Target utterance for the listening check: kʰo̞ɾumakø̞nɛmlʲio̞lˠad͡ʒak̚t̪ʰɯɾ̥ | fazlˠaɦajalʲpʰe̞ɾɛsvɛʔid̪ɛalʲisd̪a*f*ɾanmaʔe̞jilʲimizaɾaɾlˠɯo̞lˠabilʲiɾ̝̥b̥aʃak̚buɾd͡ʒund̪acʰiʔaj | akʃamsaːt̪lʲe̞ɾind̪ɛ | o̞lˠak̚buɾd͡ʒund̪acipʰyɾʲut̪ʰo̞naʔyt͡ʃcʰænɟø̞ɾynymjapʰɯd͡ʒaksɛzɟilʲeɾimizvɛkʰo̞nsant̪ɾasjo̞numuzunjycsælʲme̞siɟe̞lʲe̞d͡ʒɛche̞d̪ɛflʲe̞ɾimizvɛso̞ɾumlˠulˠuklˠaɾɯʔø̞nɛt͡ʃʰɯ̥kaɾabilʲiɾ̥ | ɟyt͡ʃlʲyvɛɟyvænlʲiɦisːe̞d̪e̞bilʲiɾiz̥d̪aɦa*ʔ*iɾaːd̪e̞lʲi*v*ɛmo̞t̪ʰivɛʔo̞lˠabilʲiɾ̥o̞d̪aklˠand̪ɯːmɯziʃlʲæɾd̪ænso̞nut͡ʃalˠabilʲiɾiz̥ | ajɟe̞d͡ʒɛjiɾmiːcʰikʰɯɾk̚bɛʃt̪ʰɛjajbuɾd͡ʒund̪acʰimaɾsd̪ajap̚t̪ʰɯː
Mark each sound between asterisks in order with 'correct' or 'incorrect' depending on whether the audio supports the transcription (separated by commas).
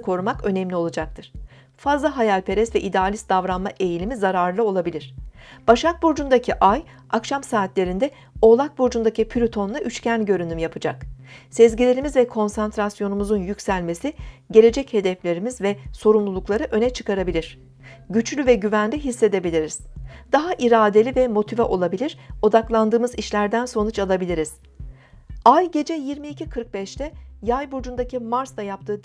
incorrect, correct, correct